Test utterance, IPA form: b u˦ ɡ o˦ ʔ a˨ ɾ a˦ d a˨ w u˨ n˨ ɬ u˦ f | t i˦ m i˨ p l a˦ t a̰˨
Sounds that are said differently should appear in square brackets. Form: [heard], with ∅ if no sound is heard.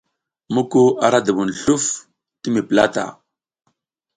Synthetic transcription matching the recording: [m] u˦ [k] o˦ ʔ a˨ ɾ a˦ d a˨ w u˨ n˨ ɬ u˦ f | t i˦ m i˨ p l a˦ t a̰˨